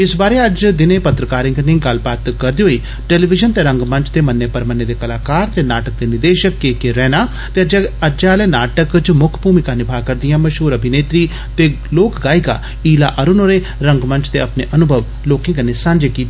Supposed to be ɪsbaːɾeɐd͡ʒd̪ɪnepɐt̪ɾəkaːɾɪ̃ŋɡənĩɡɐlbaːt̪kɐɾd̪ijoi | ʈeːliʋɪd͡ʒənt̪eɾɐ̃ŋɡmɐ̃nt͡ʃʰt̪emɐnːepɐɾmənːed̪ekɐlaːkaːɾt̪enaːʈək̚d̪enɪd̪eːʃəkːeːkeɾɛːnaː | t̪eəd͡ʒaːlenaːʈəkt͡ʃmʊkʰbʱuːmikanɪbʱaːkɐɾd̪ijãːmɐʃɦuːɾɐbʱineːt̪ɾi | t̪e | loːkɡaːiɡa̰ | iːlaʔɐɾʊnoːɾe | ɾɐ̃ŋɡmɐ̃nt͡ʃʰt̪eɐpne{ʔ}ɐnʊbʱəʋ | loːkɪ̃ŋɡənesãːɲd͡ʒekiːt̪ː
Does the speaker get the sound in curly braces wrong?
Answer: no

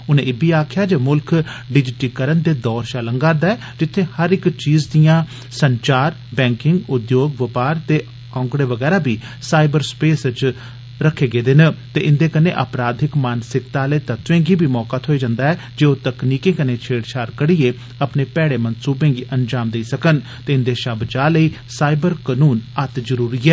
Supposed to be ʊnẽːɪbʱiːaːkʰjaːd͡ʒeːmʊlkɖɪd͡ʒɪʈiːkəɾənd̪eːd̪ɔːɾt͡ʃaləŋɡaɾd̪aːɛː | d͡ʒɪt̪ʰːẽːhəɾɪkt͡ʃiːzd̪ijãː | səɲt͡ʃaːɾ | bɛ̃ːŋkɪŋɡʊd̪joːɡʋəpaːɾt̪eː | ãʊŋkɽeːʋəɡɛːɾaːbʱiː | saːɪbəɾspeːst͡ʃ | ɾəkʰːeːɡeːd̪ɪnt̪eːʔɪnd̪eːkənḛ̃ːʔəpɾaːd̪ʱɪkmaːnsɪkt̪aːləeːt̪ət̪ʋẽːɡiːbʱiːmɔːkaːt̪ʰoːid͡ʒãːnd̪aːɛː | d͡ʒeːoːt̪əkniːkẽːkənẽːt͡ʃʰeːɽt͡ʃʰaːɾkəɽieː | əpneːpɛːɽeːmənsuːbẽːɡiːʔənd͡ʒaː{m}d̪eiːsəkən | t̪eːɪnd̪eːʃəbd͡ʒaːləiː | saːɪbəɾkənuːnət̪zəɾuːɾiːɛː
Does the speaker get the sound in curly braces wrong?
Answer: no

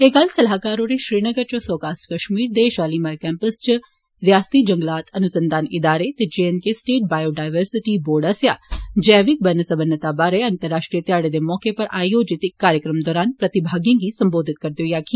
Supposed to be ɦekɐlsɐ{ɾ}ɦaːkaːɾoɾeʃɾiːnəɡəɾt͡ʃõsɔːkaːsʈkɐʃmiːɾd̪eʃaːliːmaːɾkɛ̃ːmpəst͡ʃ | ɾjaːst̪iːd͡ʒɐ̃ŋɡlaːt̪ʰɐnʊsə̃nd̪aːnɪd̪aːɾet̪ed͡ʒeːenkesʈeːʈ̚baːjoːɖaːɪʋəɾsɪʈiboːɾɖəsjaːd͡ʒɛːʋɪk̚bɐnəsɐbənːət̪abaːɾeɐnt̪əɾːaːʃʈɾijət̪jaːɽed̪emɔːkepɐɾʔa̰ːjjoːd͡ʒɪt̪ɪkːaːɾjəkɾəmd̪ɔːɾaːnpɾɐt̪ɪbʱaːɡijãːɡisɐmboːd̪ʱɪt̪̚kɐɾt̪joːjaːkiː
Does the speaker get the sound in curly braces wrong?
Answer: yes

